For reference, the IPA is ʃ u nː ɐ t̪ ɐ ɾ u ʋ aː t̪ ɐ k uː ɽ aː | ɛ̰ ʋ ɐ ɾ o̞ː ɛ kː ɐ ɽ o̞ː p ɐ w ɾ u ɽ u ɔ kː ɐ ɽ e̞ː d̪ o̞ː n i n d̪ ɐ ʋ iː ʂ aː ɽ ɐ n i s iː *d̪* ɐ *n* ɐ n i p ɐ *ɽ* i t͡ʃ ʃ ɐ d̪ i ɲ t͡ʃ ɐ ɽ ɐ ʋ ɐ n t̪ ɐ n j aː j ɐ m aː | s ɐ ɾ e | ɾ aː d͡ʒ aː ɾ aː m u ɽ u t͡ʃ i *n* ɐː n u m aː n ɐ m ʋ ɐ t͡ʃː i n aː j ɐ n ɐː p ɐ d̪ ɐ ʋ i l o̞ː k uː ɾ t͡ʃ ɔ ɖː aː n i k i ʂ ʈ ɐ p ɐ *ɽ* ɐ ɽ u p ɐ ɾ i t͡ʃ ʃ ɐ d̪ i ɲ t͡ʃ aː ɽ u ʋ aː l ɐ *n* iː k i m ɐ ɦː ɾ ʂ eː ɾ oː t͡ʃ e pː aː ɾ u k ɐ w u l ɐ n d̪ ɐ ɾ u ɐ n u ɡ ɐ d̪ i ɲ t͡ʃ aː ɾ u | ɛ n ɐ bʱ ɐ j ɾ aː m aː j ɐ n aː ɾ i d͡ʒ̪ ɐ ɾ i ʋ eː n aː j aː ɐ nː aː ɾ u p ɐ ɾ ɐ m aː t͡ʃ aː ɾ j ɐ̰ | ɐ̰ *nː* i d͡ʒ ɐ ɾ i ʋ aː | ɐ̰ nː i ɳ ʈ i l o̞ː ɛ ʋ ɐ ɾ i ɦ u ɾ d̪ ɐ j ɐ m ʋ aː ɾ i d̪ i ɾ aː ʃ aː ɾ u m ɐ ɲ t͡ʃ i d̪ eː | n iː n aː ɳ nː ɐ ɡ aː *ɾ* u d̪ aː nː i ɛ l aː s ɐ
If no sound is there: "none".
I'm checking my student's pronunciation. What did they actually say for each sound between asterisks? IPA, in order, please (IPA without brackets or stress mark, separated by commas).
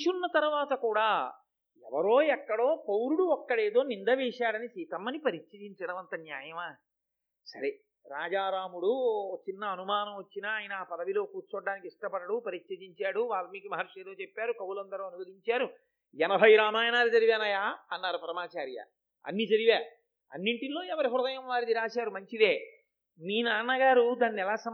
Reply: t̪, m, ɾ, nː, ɽ, m, nː, ɾ